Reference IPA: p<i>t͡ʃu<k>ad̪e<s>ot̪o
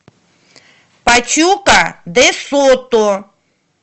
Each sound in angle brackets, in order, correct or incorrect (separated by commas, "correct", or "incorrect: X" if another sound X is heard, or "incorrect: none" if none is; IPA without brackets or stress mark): incorrect: a, correct, correct